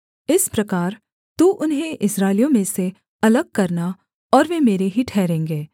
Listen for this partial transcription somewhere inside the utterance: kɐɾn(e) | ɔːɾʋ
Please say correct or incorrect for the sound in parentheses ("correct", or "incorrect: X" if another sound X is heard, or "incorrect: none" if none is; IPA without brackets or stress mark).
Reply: incorrect: a